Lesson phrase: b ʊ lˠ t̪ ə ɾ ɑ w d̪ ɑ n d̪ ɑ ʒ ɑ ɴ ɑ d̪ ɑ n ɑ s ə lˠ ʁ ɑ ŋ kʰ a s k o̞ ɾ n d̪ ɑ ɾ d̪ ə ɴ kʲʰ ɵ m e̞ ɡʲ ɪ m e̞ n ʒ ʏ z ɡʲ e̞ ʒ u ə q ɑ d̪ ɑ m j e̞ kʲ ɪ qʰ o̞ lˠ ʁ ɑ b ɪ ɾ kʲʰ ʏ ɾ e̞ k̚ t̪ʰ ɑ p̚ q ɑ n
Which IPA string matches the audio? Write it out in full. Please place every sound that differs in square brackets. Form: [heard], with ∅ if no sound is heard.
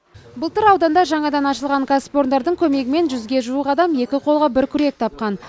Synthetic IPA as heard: b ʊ lˠ t̪ ə ɾ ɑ w d̪ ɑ n d̪ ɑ ʒ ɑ ɴ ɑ d̪ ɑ n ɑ [ʃ] ə lˠ ʁ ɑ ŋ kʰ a s [p] o̞ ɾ n d̪ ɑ ɾ d̪ ə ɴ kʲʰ ɵ m e̞ ɡʲ ɪ m e̞ n ʒ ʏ z ɡʲ e̞ ʒ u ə q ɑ d̪ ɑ m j e̞ kʲ ɪ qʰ o̞ lˠ ʁ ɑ b ɪ ɾ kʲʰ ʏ ɾ e̞ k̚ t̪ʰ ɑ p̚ q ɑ n